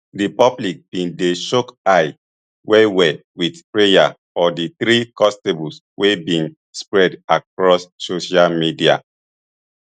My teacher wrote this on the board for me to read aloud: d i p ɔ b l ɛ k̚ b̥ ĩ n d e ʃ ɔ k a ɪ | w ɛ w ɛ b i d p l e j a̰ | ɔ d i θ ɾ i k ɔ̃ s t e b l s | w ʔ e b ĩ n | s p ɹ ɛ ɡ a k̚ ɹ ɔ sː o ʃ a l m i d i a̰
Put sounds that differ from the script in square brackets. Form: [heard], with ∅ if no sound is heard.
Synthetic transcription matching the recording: d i p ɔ b l [i] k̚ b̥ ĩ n d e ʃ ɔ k a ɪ | w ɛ w ɛ [w] i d p [ɹ] e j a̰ | ɔ d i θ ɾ i k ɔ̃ s t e b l s | w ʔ e b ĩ n | s p ɹ ɛ [d] a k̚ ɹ ɔ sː o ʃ a l m i d i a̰